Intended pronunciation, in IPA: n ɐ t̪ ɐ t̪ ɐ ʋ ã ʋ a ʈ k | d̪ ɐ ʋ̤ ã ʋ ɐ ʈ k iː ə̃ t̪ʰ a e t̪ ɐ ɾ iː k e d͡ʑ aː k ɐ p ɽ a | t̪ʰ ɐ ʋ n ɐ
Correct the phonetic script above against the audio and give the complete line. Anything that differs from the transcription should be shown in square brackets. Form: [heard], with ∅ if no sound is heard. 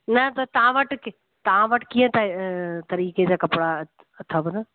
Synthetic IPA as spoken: n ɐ t̪ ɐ t̪ ɐ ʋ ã ʋ [ɐ] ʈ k | [t̪] ɐ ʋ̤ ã ʋ ɐ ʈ k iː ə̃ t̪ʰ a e t̪ ɐ ɾ iː k e d͡ʑ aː k ɐ p ɽ a | t̪ʰ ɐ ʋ n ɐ